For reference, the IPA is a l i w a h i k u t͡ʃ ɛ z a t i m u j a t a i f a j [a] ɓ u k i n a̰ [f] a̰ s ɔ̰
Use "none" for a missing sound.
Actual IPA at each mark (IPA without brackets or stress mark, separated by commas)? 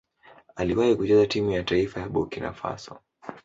a, f